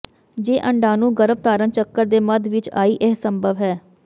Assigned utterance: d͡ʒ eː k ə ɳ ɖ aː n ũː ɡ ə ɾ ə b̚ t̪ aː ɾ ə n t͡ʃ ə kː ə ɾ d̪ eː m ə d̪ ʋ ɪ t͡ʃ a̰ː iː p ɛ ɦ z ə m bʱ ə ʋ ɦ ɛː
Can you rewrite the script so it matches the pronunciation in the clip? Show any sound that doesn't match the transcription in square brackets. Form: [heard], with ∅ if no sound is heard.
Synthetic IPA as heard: d͡ʒ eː [ʔ] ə ɳ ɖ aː n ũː ɡ ə ɾ ə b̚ t̪ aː ɾ ə n t͡ʃ ə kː ə ɾ d̪ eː m ə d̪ ʋ ɪ t͡ʃ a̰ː iː [ʔ] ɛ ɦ [s] ə m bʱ ə ʋ ɦ ɛː